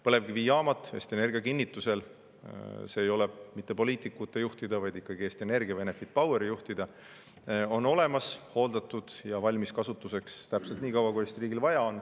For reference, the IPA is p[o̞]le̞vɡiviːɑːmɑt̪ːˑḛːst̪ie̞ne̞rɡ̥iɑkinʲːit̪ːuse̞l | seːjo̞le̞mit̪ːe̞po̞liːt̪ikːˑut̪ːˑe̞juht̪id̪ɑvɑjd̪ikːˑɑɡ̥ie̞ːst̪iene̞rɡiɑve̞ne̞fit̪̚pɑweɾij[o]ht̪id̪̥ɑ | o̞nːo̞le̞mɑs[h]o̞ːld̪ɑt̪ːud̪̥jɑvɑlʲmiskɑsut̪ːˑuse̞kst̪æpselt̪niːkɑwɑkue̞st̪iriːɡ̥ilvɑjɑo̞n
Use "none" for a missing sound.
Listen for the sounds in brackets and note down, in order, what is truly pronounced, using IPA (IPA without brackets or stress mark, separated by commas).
ɤ̞, u, h